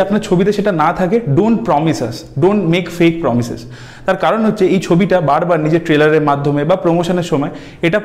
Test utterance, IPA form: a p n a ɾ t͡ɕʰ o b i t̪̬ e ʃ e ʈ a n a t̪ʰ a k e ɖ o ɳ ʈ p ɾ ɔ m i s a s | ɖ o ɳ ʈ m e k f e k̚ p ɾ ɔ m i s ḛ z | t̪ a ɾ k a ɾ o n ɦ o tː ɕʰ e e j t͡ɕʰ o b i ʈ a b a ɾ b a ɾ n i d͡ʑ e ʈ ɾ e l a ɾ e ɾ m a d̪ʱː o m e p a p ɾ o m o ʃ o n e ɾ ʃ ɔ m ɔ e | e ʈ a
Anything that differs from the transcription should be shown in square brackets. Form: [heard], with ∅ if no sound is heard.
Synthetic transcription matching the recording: a p n a ɾ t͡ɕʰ o b i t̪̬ e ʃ e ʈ a n a t̪ʰ a k e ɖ o ɳ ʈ p ɾ ɔ m i s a s | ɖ o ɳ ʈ m e k f e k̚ p ɾ ɔ m i s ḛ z | t̪ a ɾ k a ɾ o n ɦ o tː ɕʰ e e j t͡ɕʰ o b i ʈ a b a ɾ b a ɾ n i d͡ʑ e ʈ ɾ e l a ɾ e ɾ m a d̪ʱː o m e [b] a p ɾ o m o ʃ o n e ɾ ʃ ɔ m ɔ e | e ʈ a